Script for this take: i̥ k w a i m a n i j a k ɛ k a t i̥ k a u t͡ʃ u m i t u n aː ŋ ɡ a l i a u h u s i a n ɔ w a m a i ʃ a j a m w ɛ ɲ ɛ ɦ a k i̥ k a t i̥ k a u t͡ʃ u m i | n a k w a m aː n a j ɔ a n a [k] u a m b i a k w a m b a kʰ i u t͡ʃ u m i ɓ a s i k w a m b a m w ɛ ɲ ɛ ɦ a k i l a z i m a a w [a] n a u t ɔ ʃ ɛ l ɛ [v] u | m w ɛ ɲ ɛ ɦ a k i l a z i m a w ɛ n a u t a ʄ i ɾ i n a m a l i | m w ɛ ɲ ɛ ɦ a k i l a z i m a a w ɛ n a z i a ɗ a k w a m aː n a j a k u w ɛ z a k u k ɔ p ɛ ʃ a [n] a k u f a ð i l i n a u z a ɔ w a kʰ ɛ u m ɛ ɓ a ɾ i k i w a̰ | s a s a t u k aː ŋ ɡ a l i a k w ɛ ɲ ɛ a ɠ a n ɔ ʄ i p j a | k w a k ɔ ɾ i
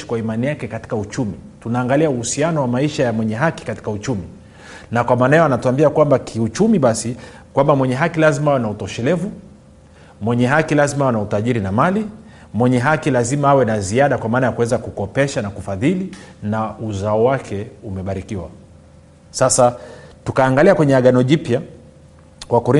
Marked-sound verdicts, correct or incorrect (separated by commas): incorrect, incorrect, correct, correct